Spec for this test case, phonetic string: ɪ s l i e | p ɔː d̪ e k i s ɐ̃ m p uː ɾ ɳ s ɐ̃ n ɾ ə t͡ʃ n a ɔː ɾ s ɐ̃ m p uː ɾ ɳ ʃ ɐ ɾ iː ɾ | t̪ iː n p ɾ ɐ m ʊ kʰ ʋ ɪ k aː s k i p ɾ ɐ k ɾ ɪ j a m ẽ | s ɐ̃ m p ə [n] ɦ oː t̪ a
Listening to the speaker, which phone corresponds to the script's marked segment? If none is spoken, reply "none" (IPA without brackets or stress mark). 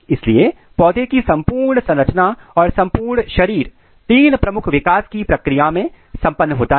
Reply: nː